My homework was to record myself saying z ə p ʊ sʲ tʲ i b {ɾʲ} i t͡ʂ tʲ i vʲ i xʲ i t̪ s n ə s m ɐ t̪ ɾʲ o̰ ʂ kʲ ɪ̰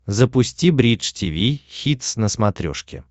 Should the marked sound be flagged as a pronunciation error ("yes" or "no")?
no